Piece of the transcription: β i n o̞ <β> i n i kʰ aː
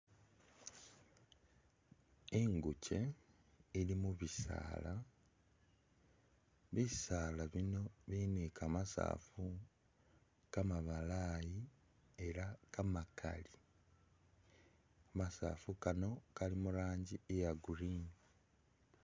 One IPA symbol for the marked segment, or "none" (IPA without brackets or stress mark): β